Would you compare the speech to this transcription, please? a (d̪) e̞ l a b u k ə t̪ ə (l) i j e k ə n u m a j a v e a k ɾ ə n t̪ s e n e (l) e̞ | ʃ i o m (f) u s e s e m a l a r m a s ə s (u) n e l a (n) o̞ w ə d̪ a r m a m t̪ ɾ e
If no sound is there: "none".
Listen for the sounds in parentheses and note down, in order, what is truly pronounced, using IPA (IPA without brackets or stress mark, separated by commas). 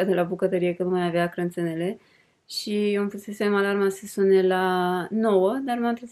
d̪, ɾ, l, f, u, n